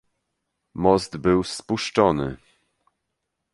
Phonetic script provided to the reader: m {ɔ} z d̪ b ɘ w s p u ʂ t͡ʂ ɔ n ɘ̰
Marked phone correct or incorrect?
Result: correct